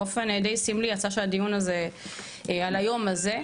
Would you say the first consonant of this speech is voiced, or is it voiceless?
voiceless